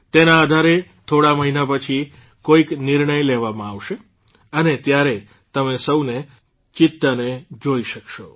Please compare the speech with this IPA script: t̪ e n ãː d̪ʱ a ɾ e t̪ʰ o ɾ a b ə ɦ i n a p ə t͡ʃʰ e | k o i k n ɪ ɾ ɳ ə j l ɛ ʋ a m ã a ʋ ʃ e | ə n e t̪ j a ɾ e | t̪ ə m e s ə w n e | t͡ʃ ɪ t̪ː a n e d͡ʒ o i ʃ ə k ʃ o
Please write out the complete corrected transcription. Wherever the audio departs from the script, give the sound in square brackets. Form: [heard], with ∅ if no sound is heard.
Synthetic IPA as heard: t̪ e n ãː d̪ʱ a ɾ e t̪ʰ o [ɽ] a [m] ə ɦ i n a p ə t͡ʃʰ [i] | k o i k n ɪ ɾ ɳ ə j l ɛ ʋ a m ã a ʋ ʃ e | ə n e t̪ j a ɾ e | t̪ ə m e s ə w n e | t͡ʃ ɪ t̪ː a n e d͡ʒ o i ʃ ə k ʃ o